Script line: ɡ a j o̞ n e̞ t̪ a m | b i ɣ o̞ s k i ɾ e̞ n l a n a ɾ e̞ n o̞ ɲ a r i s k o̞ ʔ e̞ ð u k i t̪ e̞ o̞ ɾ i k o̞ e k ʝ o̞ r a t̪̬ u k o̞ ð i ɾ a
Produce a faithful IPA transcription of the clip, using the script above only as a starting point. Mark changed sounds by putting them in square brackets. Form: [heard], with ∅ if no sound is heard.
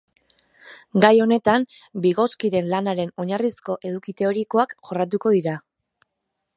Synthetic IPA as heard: ɡ a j o̞ n e̞ t̪ a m | b i ɣ o̞ s k i ɾ e̞ n l a n a ɾ e̞ n o̞ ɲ a r i s k o̞ ʔ e̞ ð u k i t̪ e̞ o̞ ɾ i k o̞ [a] k ʝ o̞ r a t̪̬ u k o̞ ð i ɾ a

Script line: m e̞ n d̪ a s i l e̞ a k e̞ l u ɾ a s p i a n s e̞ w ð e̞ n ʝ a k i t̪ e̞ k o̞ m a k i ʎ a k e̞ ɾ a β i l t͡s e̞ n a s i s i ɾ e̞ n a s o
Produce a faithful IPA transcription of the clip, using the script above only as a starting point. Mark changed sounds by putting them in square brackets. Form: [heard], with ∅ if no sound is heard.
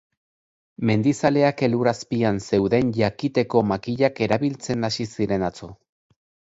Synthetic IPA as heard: m e̞ n d̪ [i] s [a] l e̞ a k e̞ l u ɾ a s p i a n s e̞ w ð e̞ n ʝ a k i t̪ e̞ k o̞ m a k i ʎ a k e̞ ɾ a β i l t͡s e̞ n a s i s i ɾ e̞ n a [t͡s] o

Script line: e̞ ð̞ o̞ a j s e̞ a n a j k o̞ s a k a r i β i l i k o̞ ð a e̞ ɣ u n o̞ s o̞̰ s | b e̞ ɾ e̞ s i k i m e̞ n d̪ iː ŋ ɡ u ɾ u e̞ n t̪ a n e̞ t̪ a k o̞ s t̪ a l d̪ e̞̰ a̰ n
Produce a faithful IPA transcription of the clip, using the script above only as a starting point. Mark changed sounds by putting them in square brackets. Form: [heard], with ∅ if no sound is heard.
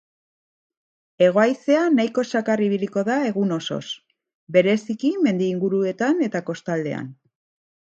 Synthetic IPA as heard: e̞ [ɣ̞] o̞ a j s e̞ a n a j k o̞ s a k a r i β i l i k o̞ ð a e̞ ɣ u n o̞ s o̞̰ s | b e̞ ɾ e̞ s i k i m e̞ n d̪ iː ŋ ɡ u ɾ u e̞ [∅] t̪ a n e̞ t̪ a k o̞ s t̪ a l d̪ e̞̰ a̰ n

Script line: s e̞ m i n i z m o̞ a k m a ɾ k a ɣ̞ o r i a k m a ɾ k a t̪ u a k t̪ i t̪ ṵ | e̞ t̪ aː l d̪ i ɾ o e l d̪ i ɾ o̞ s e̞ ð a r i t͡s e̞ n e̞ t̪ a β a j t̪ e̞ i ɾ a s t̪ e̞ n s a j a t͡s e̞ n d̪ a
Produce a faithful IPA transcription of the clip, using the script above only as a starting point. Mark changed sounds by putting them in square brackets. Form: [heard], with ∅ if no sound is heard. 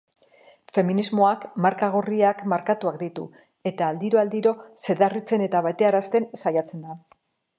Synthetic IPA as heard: [f] e̞ m i n i z m o̞ a k m a ɾ k a ɣ̞ o r i a k m a ɾ k a t̪ u a k [d̪] i t̪ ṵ | e̞ t̪ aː l d̪ i ɾ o [a] l d̪ i ɾ o̞ s e̞ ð a r i t͡s e̞ n e̞ t̪ a β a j t̪ e̞ [a] ɾ a s t̪ e̞ n s a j a t͡s e̞ n d̪ a

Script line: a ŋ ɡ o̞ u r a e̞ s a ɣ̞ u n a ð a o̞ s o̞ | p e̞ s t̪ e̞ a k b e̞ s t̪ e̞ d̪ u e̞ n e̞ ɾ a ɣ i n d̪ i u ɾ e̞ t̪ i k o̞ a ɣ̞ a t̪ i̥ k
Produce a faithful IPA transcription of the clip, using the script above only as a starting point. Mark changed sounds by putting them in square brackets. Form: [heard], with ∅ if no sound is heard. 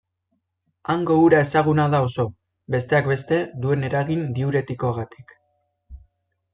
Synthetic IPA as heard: a ŋ ɡ o̞ u [ɾ] a e̞ s a ɣ̞ u n a ð a o̞ s o̞ | [b] e̞ s t̪ e̞ a k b e̞ s t̪ e̞ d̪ u e̞ n e̞ ɾ a ɣ i n d̪ i u ɾ e̞ t̪ i k o̞ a ɣ̞ a t̪ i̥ k

